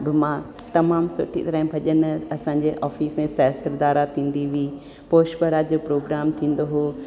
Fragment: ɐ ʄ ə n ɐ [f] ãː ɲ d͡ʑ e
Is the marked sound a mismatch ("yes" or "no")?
yes